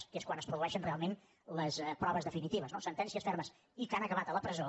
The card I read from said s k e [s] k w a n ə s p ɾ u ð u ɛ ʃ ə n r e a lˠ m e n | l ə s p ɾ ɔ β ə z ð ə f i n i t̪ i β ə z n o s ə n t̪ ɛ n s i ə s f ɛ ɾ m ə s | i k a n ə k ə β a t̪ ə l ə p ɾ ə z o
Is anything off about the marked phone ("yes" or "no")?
no